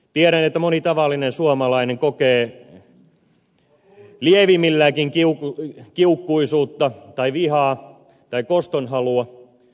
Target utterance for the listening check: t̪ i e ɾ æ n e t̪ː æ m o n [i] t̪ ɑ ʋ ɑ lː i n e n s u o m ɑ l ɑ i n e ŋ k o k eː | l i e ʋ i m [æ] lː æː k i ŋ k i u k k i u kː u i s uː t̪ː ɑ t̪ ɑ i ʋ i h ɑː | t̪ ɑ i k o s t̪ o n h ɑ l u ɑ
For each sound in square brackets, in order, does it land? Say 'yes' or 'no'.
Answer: yes, no

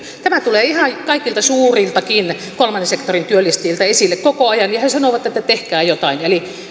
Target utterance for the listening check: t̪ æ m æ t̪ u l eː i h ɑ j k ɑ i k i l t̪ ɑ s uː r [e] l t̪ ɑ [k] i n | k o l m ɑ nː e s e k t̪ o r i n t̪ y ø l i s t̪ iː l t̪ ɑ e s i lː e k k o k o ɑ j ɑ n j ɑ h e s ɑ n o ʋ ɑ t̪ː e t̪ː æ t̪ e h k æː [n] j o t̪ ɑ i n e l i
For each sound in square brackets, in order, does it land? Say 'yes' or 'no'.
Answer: no, yes, no

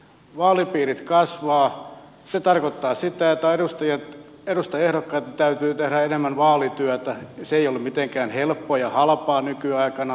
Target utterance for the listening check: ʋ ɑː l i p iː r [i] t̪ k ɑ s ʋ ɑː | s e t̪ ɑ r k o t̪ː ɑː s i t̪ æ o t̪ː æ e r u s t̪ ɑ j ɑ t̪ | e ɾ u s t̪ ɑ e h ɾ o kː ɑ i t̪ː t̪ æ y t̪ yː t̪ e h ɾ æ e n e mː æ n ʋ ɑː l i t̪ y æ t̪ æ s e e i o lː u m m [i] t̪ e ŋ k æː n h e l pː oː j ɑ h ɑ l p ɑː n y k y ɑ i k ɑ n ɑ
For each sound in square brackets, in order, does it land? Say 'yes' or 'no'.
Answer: yes, yes

